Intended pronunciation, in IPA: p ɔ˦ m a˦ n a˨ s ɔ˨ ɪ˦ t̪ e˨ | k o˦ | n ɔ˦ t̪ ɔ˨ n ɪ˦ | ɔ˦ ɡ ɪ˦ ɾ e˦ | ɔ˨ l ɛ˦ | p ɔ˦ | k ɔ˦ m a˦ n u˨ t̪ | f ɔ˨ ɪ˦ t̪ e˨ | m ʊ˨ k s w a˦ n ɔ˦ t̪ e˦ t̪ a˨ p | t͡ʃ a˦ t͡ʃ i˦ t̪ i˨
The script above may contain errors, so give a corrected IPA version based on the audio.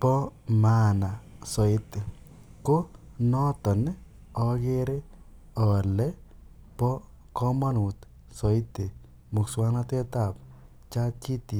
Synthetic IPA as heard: p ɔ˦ m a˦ n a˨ s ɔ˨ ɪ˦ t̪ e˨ | k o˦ | n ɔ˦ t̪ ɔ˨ n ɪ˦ | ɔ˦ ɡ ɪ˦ ɾ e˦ | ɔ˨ l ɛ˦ | p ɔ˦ | k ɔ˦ m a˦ n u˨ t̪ | s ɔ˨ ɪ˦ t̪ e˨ | m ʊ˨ k s w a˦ n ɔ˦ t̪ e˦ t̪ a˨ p | t͡ʃ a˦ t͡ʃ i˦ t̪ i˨

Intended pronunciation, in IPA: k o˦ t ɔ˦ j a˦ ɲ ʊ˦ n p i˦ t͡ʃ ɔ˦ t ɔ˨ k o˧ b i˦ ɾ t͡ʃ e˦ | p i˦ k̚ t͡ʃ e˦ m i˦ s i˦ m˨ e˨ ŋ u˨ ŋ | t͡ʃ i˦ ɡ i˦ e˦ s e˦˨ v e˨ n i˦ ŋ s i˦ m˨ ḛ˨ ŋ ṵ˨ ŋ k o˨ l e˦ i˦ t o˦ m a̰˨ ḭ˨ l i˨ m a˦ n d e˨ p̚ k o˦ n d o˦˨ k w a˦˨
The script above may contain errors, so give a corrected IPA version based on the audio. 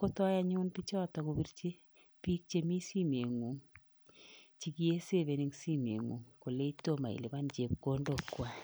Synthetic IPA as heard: k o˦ t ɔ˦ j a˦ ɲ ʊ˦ n p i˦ t͡ʃ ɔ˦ t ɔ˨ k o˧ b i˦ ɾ t͡ʃ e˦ | p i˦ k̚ t͡ʃ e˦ m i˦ s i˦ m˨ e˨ ŋ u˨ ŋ | t͡ʃ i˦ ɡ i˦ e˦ s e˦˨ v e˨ n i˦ ŋ s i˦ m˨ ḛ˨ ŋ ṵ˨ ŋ k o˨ l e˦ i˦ t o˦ m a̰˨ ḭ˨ l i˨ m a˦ n d͡ʒ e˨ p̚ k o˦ n d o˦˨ k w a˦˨

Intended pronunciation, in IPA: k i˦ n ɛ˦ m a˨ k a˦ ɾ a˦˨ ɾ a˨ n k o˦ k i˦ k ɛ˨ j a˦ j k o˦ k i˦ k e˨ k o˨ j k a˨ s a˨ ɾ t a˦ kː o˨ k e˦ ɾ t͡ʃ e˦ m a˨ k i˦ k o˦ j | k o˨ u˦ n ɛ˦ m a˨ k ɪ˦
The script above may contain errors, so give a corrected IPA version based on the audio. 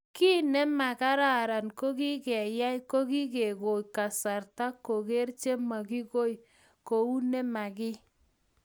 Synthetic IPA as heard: k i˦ n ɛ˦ m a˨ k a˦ ɾ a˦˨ ɾ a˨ n k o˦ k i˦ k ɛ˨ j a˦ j k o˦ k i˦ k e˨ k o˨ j k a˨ s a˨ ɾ t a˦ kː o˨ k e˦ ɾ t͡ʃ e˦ m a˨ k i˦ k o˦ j | k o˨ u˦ n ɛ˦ m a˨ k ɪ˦

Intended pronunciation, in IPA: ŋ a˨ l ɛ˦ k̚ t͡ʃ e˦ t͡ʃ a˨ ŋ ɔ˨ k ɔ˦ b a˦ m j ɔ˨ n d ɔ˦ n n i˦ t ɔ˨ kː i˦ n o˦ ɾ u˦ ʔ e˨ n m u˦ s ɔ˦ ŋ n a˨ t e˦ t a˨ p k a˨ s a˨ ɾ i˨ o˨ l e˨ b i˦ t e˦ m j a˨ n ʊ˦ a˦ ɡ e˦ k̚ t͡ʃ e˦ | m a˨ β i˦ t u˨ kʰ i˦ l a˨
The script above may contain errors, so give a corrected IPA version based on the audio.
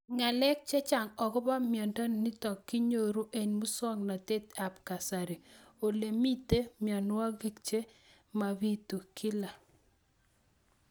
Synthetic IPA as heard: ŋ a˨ l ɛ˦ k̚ t͡ʃ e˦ t͡ʃ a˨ ŋ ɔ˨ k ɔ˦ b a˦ m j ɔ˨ n d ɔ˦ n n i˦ t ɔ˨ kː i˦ ɲ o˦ ɾ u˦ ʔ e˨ n m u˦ s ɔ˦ ŋ n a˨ t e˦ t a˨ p k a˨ s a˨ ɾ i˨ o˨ l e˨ m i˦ t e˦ m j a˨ n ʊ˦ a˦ ɡ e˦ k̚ t͡ʃ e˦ | m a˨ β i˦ t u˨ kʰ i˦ l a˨

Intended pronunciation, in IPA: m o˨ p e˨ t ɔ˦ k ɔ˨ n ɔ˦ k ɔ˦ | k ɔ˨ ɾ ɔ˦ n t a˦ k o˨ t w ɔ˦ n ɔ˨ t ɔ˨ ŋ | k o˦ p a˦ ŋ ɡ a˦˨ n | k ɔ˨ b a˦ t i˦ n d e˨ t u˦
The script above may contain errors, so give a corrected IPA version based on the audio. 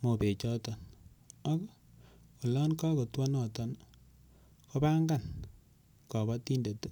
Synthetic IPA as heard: m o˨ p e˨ t͡ʃ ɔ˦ t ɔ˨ n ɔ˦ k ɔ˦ | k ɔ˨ l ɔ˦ n k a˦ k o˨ t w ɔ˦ n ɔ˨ t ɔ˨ n | k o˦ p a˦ ŋ ɡ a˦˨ n | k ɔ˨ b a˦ t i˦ n d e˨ t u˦

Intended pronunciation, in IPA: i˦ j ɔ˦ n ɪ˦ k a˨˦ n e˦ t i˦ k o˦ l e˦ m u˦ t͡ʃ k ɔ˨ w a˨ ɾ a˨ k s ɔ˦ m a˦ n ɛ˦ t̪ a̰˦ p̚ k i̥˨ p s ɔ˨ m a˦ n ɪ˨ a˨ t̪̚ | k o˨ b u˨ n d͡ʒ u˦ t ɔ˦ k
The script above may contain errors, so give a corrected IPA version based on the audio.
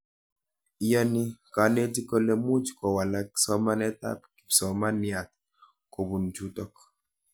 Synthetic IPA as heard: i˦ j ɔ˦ n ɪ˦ k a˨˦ n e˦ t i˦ k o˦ l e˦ m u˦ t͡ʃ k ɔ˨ w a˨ l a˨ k s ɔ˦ m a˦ n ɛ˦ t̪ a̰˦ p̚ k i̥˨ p s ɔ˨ m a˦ n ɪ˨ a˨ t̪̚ | k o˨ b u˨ n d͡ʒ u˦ t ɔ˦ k

